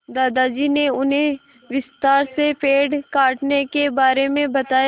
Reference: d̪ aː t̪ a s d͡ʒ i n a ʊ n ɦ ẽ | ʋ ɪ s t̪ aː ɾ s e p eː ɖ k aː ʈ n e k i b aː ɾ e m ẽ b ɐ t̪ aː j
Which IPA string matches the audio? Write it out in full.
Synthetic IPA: d̪ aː d̪ a d͡ʒ i n e ʊ n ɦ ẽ | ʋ ɪ s t̪ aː ɾ s e p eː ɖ k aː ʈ n e k e b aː ɾ e m ẽ b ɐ t̪ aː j